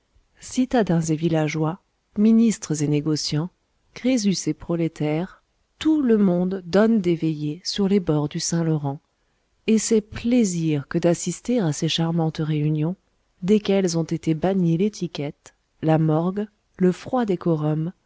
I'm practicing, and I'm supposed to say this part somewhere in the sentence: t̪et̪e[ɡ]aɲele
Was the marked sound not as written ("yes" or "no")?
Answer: yes